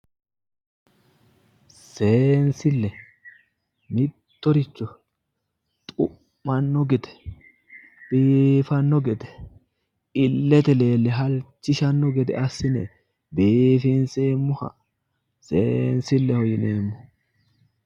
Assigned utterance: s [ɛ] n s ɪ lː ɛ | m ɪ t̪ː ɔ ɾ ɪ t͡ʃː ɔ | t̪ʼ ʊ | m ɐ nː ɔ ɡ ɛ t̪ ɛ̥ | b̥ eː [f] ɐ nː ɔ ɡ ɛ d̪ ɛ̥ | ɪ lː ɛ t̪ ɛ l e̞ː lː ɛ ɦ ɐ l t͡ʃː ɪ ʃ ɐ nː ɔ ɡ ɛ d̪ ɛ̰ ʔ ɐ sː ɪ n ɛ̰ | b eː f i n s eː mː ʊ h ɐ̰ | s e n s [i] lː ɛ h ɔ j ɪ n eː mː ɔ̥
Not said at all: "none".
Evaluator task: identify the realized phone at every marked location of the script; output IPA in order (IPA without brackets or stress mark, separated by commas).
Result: e, f, ɪ